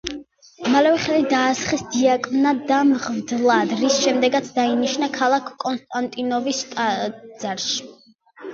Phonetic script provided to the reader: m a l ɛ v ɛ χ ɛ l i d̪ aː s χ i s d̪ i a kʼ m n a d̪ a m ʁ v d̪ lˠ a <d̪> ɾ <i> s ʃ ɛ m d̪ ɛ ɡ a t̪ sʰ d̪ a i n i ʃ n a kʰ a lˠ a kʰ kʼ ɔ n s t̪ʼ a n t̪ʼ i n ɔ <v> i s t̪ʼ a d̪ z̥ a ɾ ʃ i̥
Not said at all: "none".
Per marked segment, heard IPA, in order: d̪, i, v

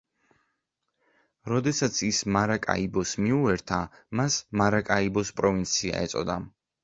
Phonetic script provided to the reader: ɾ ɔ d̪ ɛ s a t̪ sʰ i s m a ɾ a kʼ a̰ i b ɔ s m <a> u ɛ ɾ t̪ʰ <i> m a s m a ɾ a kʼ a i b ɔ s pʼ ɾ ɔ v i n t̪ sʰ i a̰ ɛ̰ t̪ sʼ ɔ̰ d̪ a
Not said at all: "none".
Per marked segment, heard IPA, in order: i, a

